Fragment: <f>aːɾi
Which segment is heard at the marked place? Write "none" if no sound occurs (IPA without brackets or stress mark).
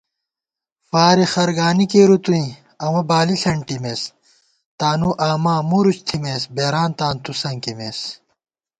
f